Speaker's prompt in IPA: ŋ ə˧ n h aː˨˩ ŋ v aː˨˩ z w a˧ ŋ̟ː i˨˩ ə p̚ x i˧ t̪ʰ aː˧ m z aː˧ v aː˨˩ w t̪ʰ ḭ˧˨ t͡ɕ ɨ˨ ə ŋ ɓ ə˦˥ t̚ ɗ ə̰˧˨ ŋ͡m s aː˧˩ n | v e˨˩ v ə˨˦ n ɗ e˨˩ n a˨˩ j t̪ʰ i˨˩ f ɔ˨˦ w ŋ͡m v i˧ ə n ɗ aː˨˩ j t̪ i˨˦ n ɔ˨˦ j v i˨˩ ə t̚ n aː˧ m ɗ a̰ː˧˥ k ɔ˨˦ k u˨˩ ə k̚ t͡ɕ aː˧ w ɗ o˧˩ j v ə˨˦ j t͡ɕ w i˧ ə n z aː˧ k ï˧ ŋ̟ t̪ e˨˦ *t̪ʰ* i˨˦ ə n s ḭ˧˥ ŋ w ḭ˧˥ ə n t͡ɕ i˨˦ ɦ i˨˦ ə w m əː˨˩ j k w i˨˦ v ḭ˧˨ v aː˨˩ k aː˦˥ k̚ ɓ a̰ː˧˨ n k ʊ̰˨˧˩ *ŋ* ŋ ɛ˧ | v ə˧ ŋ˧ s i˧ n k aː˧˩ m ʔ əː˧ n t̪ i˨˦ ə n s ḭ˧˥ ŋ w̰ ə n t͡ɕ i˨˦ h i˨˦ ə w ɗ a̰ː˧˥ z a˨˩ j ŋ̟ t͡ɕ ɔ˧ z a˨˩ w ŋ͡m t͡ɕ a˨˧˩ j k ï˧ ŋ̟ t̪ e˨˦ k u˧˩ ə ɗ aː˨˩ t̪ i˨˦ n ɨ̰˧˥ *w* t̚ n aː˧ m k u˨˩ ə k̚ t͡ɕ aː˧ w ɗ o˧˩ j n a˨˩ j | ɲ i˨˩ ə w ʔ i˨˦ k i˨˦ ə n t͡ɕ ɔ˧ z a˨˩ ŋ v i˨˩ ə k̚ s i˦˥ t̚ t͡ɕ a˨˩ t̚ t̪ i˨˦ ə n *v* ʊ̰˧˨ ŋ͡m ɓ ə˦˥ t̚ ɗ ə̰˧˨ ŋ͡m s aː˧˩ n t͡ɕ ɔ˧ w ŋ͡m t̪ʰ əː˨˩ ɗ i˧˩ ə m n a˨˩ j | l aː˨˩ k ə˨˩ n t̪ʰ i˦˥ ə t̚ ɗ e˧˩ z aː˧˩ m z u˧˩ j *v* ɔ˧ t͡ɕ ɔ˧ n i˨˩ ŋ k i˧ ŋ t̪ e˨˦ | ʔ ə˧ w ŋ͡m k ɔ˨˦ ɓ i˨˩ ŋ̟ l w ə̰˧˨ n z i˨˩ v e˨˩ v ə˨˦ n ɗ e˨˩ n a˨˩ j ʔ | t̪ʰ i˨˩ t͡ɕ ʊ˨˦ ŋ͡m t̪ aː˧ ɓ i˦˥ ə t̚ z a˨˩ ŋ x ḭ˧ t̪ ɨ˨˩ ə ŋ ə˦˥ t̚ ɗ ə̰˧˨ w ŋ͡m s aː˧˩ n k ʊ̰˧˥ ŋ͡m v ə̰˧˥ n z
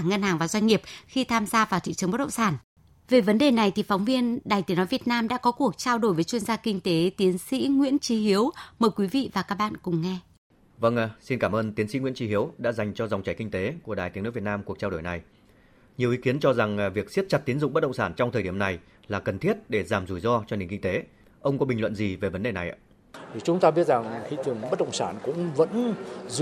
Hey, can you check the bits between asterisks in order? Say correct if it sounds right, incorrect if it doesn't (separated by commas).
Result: incorrect, incorrect, incorrect, incorrect, incorrect